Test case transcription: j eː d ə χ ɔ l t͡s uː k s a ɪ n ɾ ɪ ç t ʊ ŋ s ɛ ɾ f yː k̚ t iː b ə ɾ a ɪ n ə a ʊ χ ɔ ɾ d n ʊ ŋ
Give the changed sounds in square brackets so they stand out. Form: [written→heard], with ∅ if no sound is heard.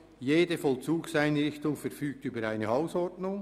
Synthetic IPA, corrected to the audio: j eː d ə [χ→f] ɔ l t͡s uː k s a ɪ n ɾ ɪ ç t ʊ ŋ [s→f] ɛ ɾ f yː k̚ t [iː→yː] b ə ɾ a ɪ n ə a ʊ [χ→s] ɔ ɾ d n ʊ ŋ